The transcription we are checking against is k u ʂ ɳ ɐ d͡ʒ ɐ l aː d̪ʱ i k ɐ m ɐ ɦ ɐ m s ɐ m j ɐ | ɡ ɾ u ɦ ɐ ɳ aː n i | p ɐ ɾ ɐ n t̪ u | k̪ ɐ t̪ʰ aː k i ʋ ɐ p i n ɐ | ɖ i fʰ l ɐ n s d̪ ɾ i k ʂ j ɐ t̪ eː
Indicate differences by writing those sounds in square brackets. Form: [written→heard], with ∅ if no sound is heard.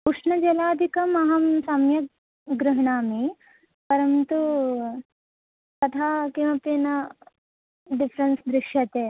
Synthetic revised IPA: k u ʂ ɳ ɐ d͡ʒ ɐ l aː d̪ʱ i k ɐ m ɐ ɦ ɐ m s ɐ m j ɐ | ɡ ɾ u ɦ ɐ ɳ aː [n→m] i | p ɐ ɾ ɐ n t̪ u | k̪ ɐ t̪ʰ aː k i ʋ ɐ p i n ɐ | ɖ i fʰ [l→ɾ] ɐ n s d̪ ɾ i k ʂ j ɐ t̪ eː